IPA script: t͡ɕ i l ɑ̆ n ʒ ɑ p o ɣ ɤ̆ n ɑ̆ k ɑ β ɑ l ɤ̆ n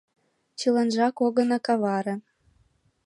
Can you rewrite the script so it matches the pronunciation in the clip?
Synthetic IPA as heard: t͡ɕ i l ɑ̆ n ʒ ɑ k o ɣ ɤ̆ n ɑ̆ k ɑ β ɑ ɾ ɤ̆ n